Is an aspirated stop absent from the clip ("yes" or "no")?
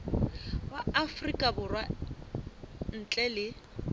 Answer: yes